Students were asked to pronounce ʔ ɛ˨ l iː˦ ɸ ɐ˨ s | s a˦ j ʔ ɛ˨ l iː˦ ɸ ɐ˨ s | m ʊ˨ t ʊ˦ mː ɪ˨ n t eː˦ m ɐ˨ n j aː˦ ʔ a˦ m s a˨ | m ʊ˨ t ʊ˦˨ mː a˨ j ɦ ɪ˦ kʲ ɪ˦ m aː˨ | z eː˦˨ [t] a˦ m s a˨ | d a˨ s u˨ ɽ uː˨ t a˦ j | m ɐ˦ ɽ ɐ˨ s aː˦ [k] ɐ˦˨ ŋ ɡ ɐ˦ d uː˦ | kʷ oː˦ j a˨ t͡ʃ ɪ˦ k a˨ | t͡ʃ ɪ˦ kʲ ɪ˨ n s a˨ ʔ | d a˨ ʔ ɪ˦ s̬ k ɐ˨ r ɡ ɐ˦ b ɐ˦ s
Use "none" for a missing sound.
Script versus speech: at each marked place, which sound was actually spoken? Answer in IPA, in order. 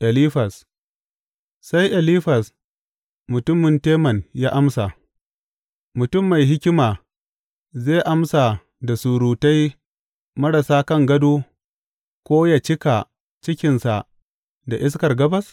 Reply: ʔ, k

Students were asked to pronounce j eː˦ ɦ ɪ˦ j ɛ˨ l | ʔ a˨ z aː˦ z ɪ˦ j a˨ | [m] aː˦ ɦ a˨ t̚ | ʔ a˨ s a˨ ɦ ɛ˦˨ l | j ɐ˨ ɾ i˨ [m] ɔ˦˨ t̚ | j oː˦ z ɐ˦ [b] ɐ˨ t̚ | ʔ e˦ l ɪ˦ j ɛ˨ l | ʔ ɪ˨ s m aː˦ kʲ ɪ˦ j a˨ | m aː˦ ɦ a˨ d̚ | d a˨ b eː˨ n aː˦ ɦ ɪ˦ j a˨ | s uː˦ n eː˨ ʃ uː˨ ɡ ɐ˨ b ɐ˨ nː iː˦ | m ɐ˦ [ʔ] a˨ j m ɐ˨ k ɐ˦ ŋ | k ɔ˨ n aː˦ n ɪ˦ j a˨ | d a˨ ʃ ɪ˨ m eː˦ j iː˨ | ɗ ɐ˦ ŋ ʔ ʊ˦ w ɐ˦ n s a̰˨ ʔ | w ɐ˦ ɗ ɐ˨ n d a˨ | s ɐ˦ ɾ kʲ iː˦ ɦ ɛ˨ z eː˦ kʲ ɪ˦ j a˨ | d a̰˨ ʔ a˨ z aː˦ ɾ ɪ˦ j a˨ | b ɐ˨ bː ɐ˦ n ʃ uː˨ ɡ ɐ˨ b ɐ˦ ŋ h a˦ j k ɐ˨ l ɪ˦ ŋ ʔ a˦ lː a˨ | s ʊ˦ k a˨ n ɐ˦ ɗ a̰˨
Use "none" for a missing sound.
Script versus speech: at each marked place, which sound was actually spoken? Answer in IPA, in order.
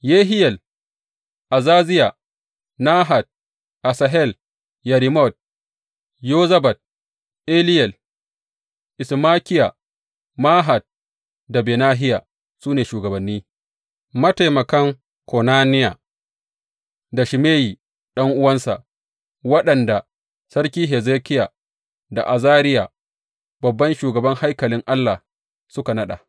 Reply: n, m, b, t

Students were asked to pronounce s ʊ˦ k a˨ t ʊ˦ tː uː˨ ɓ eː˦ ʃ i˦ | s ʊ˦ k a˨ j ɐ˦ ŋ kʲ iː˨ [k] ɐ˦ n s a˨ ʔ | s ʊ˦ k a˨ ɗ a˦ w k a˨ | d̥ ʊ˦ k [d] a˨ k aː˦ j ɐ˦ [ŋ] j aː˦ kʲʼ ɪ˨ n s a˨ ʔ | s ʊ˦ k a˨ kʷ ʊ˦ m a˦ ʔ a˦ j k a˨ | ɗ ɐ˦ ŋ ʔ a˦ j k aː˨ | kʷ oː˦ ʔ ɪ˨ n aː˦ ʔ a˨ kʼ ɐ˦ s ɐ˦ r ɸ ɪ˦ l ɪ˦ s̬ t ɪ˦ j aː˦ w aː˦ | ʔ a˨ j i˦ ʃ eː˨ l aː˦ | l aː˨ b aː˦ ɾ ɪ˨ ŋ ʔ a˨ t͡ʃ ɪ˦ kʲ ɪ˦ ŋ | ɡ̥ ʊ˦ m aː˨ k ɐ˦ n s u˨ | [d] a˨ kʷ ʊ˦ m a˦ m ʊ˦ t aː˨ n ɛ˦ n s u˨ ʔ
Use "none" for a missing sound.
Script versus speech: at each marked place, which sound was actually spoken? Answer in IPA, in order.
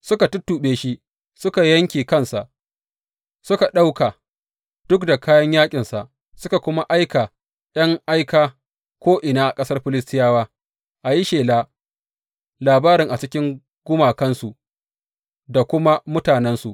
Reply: k, d, ɲ, d

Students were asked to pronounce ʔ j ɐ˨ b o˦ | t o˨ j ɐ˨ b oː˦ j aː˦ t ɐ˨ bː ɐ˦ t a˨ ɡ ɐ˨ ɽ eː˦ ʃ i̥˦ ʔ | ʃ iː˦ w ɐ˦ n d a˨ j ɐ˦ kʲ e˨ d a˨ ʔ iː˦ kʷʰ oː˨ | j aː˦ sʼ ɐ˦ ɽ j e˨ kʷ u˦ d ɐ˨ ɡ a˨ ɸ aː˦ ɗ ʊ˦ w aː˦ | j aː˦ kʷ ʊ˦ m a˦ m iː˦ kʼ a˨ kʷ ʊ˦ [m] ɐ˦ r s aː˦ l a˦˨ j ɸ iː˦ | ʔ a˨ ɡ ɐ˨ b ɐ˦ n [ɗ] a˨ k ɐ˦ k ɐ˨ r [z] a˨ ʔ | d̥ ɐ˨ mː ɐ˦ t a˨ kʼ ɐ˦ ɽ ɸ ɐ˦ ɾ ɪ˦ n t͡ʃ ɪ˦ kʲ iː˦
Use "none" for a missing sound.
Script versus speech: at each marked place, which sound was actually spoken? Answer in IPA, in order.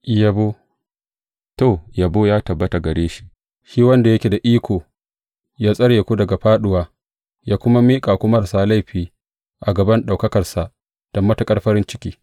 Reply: m, ɗ, s

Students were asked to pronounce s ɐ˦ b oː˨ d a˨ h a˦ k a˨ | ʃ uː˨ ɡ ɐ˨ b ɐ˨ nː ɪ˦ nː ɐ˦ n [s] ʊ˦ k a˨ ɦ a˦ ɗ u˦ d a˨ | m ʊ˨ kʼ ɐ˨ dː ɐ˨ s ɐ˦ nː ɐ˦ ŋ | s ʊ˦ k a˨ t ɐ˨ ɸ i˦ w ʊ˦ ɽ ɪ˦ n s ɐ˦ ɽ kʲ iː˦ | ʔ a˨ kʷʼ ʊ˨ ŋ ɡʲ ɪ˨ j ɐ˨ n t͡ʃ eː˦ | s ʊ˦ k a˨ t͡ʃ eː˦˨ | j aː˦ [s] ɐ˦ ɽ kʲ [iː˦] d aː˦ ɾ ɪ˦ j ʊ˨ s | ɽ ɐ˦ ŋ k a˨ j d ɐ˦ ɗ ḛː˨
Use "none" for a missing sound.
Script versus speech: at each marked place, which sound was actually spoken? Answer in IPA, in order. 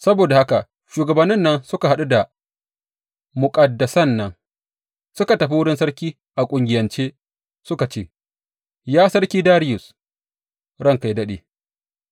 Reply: s, s, iː˦

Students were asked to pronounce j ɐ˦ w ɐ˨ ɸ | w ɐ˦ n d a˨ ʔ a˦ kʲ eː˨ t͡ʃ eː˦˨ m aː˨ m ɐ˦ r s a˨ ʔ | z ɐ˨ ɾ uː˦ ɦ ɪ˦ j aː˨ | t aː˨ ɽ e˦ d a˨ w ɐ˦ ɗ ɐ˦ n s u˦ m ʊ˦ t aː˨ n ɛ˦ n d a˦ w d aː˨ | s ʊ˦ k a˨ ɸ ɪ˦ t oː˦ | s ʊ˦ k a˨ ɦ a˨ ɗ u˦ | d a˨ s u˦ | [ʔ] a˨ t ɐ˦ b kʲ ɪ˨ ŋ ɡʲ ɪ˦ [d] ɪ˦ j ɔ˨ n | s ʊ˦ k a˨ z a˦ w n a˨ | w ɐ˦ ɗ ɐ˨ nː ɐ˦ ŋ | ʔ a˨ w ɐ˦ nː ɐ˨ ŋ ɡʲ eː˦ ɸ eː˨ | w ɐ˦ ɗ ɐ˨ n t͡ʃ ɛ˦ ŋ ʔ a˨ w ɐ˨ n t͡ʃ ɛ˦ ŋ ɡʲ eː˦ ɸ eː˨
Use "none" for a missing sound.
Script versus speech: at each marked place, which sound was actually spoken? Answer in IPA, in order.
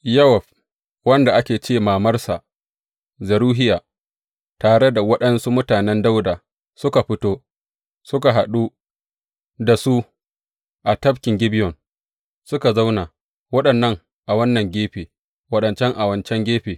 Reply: ʔ, b

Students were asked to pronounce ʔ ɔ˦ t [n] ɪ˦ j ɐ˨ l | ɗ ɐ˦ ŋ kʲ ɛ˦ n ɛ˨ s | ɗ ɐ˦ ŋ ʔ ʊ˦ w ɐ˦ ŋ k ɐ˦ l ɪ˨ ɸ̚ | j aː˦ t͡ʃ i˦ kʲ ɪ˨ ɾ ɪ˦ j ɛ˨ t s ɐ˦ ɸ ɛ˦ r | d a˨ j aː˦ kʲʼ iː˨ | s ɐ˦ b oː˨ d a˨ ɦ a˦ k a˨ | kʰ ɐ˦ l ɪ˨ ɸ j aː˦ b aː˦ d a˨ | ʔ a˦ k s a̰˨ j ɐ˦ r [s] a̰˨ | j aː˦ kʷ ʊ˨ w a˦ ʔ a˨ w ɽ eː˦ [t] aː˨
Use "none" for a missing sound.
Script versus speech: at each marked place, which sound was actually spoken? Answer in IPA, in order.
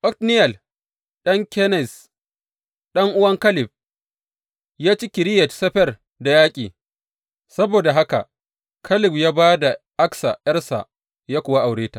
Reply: n, s, t

